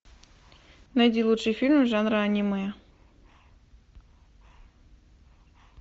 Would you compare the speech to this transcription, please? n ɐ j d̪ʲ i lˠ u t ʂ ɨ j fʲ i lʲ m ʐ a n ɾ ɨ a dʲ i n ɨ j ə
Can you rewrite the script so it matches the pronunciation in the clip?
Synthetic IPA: n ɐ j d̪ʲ i lˠ u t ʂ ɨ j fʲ i lʲ m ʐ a n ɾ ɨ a nʲ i m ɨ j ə